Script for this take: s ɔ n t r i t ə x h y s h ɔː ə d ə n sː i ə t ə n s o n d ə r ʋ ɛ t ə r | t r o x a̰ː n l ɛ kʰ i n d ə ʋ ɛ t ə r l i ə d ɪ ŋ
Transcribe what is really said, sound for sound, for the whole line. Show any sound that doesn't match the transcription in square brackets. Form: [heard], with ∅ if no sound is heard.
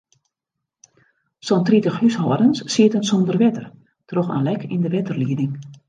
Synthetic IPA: s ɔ n t r i t ə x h y s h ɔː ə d ə n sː i ə t ə n s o n d ə r ʋ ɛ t ə r | t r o x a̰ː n l ɛ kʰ i n d ə ʋ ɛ t ə r l i ə d ɪ ŋ